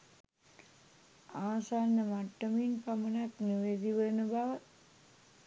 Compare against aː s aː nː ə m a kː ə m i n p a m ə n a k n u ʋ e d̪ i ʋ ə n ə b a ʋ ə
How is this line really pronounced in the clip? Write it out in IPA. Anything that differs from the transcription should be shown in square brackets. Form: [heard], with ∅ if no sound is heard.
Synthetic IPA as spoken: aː s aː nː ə m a [ʈː] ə m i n p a m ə n a k n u ʋ e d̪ i ʋ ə n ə b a ʋ ə